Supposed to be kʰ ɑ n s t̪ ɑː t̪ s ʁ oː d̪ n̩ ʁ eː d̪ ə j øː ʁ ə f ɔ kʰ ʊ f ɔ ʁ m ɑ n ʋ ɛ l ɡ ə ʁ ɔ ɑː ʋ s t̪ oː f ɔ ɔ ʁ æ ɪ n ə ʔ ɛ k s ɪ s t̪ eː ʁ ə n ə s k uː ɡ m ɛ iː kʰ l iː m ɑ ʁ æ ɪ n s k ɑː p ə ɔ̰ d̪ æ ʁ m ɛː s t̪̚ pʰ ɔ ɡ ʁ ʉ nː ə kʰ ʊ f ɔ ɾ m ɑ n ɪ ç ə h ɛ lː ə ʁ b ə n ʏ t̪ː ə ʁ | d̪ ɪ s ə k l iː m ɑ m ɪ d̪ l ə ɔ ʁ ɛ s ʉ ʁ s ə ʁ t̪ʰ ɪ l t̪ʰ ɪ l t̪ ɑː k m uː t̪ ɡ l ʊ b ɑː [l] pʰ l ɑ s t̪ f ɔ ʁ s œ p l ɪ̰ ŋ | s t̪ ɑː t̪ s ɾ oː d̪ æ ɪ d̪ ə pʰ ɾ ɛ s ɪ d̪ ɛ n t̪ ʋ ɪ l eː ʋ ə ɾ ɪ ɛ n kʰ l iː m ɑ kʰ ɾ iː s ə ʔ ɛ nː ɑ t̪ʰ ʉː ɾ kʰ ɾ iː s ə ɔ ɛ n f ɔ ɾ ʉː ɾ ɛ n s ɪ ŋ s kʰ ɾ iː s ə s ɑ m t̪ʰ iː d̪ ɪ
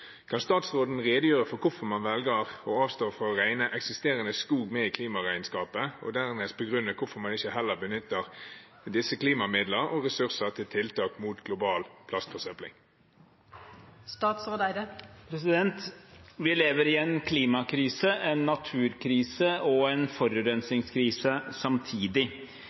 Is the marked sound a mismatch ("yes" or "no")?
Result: no